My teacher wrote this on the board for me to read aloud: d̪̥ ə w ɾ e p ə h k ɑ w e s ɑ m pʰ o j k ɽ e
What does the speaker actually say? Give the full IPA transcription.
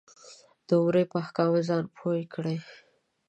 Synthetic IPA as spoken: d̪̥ ə w ɾ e p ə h k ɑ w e z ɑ n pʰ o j k ɽ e